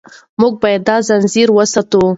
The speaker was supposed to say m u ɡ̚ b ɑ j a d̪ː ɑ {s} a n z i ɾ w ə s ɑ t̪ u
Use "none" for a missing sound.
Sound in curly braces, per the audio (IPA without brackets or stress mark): z